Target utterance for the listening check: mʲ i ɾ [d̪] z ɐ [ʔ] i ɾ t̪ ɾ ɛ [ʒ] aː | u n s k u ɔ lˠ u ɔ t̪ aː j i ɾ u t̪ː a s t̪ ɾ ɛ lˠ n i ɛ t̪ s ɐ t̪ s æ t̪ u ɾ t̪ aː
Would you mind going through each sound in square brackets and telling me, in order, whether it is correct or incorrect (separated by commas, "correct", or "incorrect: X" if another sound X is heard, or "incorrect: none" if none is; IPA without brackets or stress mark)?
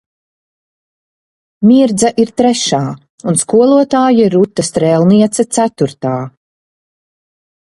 correct, correct, incorrect: ʃ